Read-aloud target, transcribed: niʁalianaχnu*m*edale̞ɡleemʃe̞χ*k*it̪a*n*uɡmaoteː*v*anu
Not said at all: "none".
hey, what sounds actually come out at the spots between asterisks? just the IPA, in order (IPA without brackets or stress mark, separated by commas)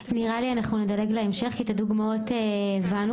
n, k, d, v